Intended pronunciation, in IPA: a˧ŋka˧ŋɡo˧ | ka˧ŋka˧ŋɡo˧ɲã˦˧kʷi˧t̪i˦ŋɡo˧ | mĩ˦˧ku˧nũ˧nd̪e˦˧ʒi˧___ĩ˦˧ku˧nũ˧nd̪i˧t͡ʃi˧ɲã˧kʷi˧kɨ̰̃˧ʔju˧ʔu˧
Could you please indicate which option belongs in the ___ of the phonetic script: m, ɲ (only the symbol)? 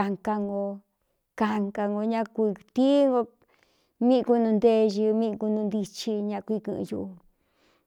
m